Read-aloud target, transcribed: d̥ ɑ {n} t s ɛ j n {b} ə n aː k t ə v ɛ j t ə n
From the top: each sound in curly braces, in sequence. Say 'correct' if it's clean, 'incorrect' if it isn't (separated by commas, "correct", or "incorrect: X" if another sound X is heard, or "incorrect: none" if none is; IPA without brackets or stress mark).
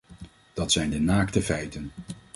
incorrect: none, incorrect: d